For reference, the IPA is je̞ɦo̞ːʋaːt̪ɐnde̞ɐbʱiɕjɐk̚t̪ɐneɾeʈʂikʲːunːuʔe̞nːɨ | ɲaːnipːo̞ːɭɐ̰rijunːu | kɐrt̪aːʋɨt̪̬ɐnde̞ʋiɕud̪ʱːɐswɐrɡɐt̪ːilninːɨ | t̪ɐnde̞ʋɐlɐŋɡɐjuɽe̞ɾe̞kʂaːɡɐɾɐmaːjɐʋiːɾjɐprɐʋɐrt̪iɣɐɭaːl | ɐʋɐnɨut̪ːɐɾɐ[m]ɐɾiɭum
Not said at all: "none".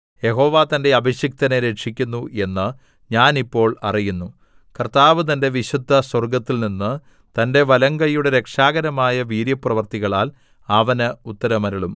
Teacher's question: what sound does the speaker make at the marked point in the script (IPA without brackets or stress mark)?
m